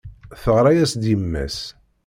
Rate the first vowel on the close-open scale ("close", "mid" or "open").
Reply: mid